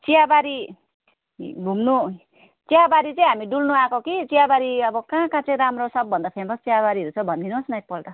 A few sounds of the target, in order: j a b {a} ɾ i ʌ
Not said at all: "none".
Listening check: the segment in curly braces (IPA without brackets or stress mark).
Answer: a